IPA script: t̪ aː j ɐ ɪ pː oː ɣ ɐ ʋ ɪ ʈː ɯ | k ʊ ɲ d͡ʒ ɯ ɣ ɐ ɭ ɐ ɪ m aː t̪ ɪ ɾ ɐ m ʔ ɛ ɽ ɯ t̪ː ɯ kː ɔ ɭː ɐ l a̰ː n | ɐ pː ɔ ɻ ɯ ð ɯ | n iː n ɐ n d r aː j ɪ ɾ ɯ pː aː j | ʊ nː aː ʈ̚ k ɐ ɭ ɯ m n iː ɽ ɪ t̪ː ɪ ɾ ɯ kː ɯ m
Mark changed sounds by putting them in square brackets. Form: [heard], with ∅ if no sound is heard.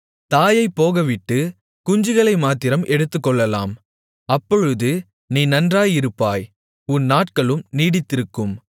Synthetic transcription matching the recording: t̪ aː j ɐ ɪ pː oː ɣ ɐ ʋ ɪ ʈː ɯ | k ʊ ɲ d͡ʒ ɯ ɣ ɐ ɭ ɐ ɪ m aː t̪ ɪ ɾ ɐ m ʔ ɛ ɽ ɯ t̪ː ɯ kː ɔ ɭː ɐ l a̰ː [m] | ɐ pː ɔ ɻ ɯ ð ɯ | n iː n ɐ n d r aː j ɪ ɾ ɯ pː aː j | ʊ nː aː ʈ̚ k ɐ ɭ ɯ m n iː ɽ ɪ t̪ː ɪ ɾ ɯ kː ɯ m